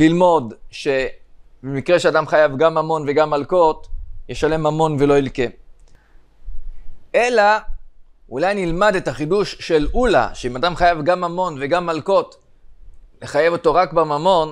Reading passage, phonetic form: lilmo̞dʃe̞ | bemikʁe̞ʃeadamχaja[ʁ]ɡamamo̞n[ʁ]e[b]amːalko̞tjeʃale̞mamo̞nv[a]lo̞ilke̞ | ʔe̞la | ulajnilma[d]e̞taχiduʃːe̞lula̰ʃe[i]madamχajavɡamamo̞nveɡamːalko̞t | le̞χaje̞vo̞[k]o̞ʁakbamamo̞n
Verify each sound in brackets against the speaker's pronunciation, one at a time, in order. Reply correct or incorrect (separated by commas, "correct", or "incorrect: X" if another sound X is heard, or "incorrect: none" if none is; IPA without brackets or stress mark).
incorrect: v, incorrect: v, incorrect: ɡ, incorrect: e, correct, correct, incorrect: t